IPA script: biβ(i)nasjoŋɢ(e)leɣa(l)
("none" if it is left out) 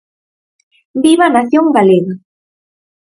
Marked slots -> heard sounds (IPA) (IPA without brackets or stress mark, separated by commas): a, a, none